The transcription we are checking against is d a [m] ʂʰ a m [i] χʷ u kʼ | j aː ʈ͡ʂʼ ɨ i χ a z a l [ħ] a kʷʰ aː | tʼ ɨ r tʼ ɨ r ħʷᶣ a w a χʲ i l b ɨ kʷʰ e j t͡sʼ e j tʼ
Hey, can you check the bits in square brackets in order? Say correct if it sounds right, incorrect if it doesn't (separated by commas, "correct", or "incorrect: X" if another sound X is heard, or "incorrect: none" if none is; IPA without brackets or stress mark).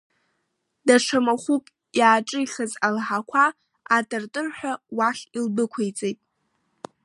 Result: incorrect: none, incorrect: a, correct